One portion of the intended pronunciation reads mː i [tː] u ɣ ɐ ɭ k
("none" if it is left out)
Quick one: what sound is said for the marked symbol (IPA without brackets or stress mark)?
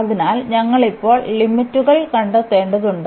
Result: tː